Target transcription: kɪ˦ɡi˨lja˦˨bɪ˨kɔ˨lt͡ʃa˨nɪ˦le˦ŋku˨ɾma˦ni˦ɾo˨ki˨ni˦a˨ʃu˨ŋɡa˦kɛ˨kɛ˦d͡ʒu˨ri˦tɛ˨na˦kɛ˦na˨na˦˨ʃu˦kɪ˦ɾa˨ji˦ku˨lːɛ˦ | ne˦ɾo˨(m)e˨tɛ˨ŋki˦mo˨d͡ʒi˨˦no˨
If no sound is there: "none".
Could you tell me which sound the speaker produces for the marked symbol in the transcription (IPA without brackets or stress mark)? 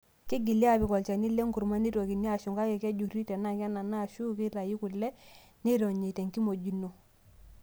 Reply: ɲ